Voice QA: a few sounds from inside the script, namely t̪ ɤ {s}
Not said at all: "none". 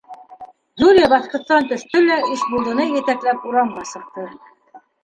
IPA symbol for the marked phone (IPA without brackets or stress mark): none